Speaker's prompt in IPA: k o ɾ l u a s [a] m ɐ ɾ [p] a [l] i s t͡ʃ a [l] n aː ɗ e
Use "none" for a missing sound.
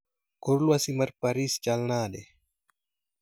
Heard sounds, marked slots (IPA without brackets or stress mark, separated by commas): i, p, ɾ, l